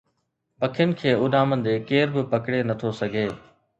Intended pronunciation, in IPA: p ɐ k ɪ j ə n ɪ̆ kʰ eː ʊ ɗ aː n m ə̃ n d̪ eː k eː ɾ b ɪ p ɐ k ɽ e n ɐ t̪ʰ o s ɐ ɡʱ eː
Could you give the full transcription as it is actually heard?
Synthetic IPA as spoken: p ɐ kʰ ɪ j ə n ɪ̆ kʰ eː ʊ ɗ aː m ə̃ n d̪ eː k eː ɾ b ɪ p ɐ k ɽ e n ɐ t̪ʰ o s ɐ ɡʱ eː